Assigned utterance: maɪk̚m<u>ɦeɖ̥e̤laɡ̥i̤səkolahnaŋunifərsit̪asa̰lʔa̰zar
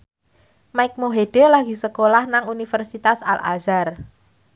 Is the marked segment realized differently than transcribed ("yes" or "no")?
yes